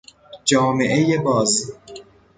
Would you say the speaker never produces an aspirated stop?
yes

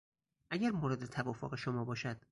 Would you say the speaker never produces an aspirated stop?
no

